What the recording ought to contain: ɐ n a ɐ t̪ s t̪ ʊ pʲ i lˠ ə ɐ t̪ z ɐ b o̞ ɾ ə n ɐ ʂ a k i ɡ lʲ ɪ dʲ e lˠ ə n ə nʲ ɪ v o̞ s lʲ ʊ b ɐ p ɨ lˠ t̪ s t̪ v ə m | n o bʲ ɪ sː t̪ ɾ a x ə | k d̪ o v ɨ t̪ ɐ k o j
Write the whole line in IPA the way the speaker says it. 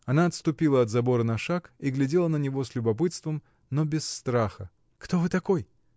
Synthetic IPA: ɐ n a ɐ t̪ s t̪ ʊ pʲ i lˠ ə ɐ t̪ z ɐ b o̞ ɾ ə n ɐ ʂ a k i ɡ lʲ ɪ dʲ e lˠ ə n ə nʲ ɪ v o̞ s lʲ ʊ b ɐ p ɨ t̪ s t̪ v ə m | n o bʲ ɪ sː t̪ ɾ a x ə | k t̪ o v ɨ t̪ ɐ k o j